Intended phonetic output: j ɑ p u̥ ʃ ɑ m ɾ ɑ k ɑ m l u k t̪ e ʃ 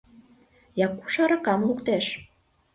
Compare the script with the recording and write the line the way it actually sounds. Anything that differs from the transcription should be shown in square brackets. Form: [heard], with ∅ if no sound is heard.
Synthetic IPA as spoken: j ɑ [k] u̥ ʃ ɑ [∅] ɾ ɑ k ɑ m l u k t̪ e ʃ